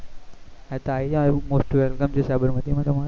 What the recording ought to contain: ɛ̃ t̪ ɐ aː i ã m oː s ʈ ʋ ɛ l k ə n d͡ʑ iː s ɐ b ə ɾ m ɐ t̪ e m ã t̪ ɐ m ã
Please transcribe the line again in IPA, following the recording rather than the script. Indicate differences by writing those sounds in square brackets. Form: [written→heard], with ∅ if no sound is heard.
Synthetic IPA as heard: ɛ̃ t̪ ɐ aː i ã m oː s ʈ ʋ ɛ l k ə [n→m] d͡ʑ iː s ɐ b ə ɾ m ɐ t̪ [e→i] m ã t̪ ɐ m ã